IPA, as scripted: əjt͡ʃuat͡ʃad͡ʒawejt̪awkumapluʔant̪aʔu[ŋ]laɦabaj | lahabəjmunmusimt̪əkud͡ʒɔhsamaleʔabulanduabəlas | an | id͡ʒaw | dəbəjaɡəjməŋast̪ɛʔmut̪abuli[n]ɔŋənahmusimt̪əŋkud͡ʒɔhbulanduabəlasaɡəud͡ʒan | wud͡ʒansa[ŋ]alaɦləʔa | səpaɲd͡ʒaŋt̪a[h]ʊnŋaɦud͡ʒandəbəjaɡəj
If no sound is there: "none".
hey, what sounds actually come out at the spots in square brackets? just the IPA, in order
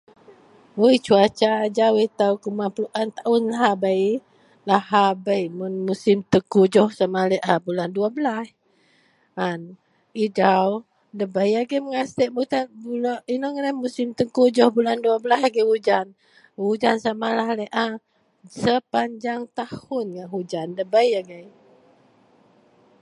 n, n, m, h

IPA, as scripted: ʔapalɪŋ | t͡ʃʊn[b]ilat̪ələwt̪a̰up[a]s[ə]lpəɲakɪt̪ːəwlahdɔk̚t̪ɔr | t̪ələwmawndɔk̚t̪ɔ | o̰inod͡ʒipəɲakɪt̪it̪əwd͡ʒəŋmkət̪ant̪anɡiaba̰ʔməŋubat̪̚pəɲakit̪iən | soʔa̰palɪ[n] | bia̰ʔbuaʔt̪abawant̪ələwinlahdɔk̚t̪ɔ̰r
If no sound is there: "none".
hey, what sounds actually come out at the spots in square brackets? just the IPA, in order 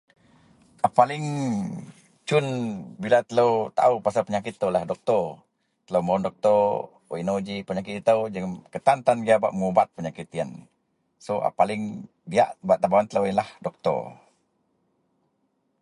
b, a, a, ŋ

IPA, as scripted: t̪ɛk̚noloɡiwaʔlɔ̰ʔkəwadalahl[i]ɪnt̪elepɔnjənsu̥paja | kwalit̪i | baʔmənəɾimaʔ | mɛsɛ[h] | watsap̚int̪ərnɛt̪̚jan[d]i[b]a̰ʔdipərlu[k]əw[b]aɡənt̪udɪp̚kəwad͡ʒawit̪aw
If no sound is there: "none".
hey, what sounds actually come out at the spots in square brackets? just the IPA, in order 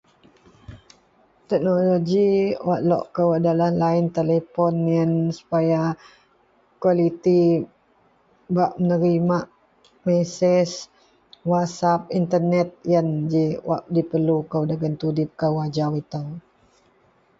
a, s, d͡ʒ, w, k, d

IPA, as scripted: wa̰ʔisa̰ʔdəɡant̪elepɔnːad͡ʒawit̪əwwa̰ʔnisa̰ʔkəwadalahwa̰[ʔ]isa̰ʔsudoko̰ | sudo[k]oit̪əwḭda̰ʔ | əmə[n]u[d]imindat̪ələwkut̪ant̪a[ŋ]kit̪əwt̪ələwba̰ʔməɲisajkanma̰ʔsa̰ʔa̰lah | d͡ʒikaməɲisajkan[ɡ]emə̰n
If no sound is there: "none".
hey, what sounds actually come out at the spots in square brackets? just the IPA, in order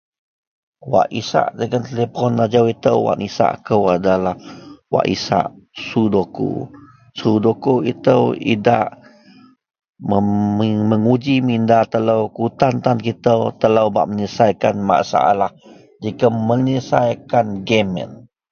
ʔ, k, ŋ, d͡ʒ, n, ɡ

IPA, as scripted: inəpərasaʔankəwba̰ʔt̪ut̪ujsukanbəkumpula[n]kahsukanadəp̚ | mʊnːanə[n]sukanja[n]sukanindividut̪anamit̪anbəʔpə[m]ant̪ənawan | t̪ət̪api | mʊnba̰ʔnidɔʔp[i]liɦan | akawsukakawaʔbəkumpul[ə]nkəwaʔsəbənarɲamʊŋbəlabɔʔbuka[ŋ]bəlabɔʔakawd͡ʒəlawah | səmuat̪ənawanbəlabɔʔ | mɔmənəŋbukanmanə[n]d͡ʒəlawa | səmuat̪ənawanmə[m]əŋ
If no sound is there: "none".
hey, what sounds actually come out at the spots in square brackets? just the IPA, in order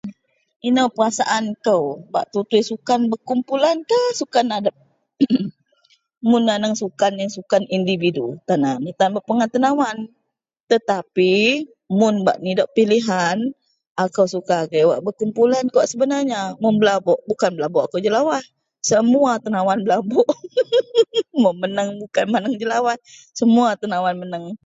n, ŋ, ŋ, ŋ, i, a, n, ŋ, n

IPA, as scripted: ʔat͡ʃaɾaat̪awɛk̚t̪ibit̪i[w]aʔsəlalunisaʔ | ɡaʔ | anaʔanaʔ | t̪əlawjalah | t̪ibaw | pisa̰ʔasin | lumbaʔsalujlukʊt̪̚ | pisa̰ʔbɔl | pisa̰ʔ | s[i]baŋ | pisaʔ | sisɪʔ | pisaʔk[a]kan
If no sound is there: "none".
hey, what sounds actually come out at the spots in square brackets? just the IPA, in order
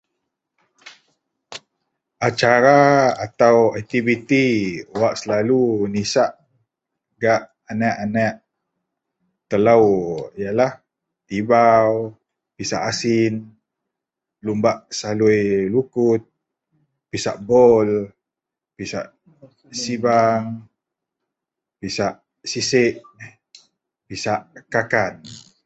w, i, a

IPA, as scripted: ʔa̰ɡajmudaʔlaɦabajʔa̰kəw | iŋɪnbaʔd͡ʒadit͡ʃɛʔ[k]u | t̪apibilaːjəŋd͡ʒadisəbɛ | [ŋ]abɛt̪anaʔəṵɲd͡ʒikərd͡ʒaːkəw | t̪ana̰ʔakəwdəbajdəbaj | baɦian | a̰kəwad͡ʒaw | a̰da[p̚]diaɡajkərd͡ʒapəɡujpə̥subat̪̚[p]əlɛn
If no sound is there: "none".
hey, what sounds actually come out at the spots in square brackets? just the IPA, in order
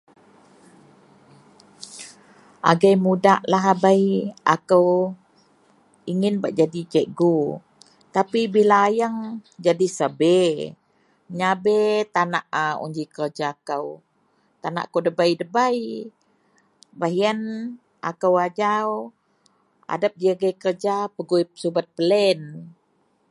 ɡ, ɲ, p̚, p

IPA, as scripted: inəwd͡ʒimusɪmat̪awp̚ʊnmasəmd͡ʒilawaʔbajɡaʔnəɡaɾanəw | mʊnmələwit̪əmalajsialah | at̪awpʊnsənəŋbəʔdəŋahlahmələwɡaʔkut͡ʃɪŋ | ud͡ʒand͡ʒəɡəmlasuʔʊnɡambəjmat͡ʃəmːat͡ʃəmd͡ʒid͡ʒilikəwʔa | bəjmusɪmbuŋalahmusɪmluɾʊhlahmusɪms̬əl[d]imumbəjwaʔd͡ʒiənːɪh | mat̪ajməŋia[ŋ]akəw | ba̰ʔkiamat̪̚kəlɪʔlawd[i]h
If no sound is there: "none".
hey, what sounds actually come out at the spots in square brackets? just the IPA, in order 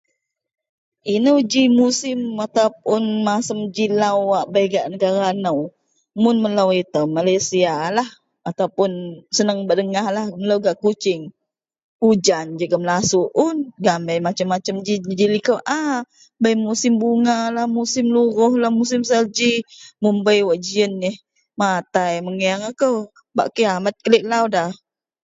d͡ʒ, ŋ, a

